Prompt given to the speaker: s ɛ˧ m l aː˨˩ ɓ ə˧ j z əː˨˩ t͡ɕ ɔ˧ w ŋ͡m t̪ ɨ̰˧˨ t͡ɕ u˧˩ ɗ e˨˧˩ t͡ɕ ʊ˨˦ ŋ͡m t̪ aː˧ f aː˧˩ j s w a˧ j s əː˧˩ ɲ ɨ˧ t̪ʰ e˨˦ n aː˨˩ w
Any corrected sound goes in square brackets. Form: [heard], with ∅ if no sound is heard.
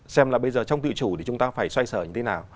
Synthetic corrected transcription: s ɛ˧ m l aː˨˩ ɓ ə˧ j z əː˨˩ t͡ɕ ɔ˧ w ŋ͡m t̪ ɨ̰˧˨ t͡ɕ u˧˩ ɗ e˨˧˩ t͡ɕ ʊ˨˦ ŋ͡m t̪ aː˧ f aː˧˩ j s w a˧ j s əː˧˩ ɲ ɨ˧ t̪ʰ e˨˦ n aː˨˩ w